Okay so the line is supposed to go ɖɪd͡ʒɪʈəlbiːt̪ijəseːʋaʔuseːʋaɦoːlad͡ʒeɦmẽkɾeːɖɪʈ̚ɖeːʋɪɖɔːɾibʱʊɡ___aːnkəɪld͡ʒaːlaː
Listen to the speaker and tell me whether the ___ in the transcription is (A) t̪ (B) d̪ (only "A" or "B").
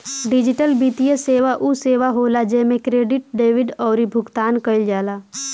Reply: A